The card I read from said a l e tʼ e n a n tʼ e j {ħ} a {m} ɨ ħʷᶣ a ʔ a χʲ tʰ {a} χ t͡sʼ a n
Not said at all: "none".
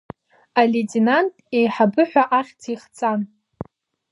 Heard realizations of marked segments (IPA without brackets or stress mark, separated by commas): ħ, b, i